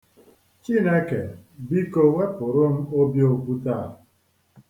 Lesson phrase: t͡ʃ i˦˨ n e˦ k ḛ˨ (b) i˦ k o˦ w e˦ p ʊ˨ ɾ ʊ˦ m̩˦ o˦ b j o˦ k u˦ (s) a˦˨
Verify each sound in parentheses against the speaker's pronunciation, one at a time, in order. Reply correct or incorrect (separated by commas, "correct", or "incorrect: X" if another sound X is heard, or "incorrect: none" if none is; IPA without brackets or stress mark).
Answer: correct, incorrect: t